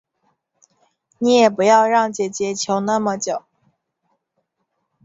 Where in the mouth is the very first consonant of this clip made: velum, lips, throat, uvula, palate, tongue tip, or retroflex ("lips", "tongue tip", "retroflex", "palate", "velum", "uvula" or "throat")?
tongue tip